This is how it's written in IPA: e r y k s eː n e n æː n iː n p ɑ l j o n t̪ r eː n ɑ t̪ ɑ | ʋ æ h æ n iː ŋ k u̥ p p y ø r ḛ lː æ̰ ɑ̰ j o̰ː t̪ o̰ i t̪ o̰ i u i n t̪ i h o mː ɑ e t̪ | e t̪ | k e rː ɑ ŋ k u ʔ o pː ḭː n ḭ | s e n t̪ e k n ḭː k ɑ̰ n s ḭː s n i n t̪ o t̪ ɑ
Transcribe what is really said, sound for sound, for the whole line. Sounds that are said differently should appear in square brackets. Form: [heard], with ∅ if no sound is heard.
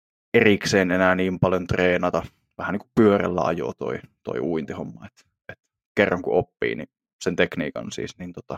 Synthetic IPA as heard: e r [i] k s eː n e n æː n iː [m] p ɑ l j o n t̪ r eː n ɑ t̪ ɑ | ʋ æ h æ n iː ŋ k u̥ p p y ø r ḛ lː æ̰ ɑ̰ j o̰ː t̪ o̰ i t̪ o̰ i u i n t̪ i h o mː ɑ e t̪ | e t̪ | k e rː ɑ ŋ k u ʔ o pː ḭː n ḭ | s e n t̪ e k n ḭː k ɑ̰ n s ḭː s n i n t̪ o t̪ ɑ